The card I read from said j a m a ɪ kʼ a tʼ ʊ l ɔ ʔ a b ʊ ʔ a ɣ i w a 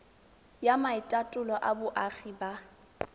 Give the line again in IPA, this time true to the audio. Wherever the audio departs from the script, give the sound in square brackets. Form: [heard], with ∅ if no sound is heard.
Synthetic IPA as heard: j a m a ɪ [tʼ] a tʼ ʊ l ɔ ʔ a b ʊ ʔ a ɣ i [b] a